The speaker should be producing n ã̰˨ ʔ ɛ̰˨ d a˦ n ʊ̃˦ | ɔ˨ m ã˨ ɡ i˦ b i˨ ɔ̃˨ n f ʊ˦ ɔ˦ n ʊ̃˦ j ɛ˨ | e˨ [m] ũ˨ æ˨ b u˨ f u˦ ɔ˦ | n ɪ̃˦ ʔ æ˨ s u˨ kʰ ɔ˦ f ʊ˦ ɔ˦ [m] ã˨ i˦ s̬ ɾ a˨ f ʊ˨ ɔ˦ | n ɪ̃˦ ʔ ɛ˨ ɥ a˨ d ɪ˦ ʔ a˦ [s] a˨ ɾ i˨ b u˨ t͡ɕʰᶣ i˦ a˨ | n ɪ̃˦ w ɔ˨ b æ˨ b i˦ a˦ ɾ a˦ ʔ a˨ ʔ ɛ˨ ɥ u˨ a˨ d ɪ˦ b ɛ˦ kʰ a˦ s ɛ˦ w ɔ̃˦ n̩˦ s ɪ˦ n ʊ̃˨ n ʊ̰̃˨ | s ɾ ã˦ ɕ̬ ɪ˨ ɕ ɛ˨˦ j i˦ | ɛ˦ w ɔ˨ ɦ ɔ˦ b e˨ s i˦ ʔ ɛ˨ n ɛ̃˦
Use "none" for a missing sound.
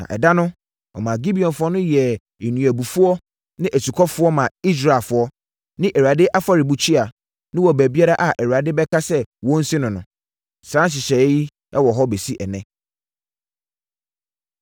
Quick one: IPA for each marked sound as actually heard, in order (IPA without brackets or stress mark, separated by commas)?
n, m, f